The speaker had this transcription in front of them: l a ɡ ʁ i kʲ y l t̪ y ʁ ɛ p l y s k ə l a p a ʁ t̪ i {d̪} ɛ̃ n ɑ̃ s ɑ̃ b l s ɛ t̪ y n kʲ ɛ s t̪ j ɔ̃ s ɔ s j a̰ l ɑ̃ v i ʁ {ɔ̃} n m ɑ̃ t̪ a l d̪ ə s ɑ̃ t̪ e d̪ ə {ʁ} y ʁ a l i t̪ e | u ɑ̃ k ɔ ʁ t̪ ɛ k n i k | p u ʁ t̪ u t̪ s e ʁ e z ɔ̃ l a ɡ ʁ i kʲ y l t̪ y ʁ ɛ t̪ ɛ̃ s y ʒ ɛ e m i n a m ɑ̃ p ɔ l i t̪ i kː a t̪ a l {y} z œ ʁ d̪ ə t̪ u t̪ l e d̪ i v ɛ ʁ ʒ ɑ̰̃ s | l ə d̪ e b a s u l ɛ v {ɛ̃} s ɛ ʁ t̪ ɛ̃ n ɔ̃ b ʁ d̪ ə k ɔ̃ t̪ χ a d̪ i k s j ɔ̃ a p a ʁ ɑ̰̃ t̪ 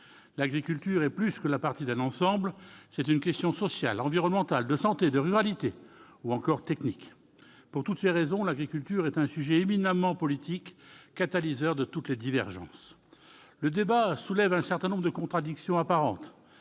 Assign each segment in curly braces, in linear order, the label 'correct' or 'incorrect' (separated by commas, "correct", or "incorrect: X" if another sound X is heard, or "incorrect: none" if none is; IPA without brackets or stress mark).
correct, incorrect: ɔ, correct, incorrect: i, correct